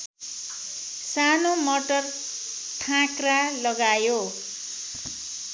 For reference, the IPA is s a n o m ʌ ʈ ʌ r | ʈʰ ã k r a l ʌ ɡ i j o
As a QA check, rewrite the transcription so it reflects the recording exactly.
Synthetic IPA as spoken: s a n o m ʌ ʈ ʌ r | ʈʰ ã k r a l ʌ ɡ a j o